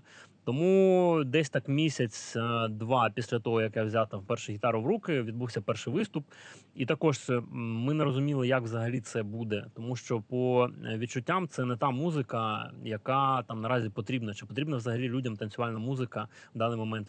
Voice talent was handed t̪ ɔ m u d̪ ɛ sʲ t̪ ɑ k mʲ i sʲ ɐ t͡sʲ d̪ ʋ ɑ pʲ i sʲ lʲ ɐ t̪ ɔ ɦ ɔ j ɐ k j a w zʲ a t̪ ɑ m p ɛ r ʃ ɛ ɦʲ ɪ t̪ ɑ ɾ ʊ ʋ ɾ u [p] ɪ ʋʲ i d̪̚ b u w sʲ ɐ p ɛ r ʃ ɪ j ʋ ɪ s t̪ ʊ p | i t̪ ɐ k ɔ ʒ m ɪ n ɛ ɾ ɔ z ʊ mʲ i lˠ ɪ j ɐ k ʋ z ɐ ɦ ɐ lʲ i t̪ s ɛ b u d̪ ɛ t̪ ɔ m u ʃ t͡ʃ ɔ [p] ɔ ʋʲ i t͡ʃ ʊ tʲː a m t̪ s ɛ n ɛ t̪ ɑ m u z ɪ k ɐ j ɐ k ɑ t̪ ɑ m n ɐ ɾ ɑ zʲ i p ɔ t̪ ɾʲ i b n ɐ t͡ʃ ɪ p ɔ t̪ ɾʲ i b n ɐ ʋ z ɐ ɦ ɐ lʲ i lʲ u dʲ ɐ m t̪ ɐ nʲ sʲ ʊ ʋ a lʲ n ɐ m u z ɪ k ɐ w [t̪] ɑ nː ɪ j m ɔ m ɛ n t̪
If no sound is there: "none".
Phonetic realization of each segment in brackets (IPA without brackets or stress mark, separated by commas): k, p, d̪